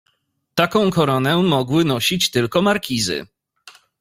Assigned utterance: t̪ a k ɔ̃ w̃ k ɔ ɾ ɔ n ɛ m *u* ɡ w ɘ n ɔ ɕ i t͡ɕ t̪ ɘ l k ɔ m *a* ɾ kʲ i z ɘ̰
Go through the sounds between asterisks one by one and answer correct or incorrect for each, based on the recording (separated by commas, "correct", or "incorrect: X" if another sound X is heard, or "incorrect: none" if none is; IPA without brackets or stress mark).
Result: incorrect: ɔ, correct